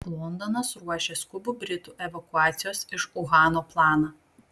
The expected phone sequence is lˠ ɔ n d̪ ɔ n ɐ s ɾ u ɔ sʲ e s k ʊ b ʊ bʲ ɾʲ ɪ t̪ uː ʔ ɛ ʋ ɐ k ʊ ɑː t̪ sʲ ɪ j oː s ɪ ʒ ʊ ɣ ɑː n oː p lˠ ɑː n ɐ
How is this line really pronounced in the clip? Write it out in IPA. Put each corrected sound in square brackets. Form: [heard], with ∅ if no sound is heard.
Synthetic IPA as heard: lˠ ɔ n d̪ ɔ n ɐ s ɾ u ɔ [ʃʲ] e s k ʊ b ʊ bʲ ɾʲ ɪ t̪ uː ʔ ɛ ʋ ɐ k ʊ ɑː t̪ sʲ ɪ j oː s ɪ [ʃ] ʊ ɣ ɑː n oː p lˠ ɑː n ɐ